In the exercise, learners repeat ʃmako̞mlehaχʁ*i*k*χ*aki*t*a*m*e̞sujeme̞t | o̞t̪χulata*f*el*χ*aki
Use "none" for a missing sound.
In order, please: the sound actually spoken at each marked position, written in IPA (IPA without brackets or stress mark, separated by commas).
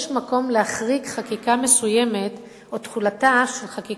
i, χ, k, m, ʃ, χ